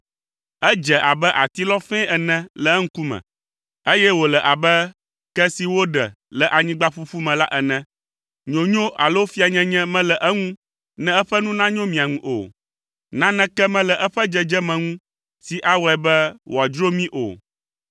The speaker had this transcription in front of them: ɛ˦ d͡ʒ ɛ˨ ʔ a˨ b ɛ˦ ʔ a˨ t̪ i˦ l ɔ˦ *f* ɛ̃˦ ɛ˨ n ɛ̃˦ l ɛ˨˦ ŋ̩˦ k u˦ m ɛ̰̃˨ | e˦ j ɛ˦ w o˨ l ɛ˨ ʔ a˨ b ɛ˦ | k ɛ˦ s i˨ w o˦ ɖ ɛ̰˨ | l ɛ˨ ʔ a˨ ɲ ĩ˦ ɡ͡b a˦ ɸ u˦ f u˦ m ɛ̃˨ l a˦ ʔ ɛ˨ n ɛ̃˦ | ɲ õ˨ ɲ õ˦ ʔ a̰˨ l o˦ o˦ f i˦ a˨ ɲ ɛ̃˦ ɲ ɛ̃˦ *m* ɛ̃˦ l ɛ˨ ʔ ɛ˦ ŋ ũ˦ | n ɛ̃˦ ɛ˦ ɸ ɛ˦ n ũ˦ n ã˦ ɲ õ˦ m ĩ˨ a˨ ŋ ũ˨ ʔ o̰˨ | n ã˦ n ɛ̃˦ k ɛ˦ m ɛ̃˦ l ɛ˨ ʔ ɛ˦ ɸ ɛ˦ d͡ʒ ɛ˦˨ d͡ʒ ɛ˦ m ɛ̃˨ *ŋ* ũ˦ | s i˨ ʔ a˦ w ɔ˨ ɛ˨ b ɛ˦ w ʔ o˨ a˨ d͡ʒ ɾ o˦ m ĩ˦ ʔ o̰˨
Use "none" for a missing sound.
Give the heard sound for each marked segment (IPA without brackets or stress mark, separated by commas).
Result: f, m, ŋ